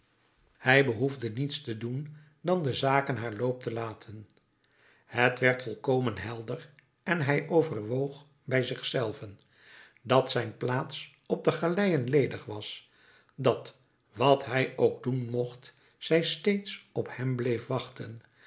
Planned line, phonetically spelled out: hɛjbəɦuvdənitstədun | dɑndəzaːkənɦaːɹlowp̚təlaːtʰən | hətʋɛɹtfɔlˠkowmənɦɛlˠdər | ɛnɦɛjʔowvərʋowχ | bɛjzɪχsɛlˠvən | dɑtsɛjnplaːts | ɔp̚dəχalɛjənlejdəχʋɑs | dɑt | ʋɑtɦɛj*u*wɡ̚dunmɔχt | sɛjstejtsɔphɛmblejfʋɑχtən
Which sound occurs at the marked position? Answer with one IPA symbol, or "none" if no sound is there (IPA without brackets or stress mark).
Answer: o